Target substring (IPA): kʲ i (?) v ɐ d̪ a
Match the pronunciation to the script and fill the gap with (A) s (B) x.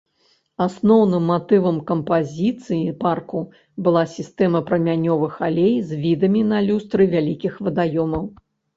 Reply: B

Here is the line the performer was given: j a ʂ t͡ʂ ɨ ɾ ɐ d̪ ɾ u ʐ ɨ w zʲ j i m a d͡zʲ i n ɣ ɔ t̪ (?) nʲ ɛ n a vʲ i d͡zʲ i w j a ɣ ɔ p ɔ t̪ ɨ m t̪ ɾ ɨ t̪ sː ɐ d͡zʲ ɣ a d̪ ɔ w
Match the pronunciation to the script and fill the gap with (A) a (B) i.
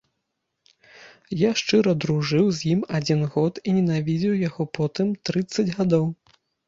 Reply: B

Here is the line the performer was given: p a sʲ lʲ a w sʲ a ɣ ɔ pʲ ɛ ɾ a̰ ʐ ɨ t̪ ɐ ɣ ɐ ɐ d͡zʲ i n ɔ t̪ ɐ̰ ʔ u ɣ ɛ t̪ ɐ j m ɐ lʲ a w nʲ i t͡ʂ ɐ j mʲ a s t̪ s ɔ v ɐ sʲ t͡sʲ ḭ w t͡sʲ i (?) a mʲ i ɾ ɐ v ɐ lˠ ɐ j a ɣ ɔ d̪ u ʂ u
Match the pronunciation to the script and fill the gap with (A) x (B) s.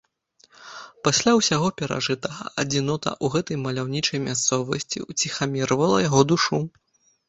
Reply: A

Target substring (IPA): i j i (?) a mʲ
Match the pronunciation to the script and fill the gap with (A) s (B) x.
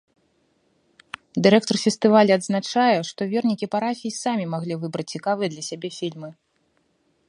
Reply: A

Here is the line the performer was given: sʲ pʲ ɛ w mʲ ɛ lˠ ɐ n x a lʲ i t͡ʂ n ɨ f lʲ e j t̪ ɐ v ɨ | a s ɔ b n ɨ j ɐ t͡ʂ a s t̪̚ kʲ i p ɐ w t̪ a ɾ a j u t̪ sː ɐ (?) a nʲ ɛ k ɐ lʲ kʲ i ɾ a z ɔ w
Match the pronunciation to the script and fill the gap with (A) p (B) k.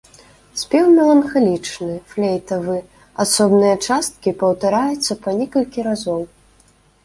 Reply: A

